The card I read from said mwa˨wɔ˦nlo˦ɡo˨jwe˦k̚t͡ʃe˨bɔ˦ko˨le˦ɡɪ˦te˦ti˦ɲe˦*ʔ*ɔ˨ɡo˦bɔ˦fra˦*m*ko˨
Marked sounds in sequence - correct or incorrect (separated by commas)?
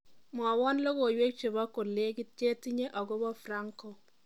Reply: correct, incorrect